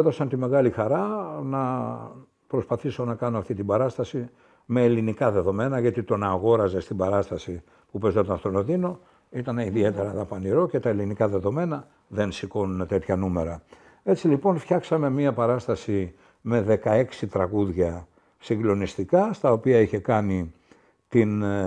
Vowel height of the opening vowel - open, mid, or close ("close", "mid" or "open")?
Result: mid